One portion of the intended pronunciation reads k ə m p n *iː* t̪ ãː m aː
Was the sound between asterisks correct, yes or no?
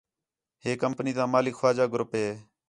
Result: yes